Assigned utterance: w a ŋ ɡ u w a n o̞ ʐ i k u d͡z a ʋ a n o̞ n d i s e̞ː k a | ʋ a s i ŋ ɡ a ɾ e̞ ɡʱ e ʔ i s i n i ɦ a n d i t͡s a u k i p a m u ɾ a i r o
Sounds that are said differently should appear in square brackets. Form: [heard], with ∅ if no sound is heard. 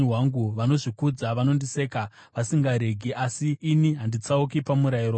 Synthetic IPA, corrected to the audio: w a ŋ ɡ u [ʋ] a n o̞ ʐ i k u d͡z a ʋ a n o̞ n d i s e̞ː k a | ʋ a s i ŋ ɡ a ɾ e̞ ɡʱ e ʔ [a] s [iː] n i ɦ a n d i t͡s a u k i p a m u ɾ a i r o